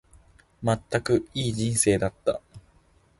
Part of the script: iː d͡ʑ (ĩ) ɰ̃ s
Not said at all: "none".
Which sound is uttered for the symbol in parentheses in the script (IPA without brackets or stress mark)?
ĩ